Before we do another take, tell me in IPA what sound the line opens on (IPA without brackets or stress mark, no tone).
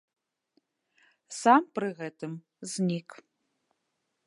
s